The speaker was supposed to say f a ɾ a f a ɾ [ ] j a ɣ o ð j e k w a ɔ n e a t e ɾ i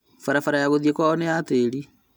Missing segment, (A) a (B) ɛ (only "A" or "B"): A